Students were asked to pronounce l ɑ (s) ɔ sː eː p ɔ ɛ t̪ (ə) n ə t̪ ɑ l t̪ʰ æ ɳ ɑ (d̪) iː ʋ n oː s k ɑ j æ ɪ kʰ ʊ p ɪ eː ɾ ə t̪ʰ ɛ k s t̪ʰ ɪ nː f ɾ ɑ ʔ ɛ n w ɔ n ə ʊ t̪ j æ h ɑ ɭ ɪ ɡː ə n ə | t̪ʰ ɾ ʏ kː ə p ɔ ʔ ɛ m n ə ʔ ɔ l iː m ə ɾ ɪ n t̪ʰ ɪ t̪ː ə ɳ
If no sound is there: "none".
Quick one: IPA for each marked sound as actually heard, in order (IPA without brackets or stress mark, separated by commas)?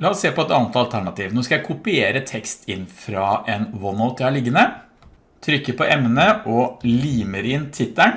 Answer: none, ɑ, t̪